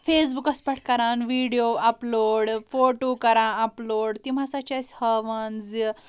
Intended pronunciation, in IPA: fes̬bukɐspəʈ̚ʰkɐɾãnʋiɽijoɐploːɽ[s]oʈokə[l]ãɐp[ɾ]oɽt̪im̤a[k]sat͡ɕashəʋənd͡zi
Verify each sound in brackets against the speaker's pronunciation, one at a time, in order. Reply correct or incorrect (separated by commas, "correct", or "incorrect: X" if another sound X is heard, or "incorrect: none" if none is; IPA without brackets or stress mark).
incorrect: f, incorrect: ɾ, incorrect: l, incorrect: none